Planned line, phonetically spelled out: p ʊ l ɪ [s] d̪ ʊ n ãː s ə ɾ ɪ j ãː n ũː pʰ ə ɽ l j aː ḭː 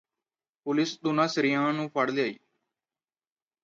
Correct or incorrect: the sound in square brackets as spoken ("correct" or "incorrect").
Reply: correct